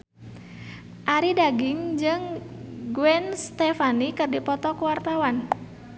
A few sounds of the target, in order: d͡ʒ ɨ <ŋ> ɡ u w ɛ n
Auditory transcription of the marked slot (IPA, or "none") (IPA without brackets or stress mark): ŋ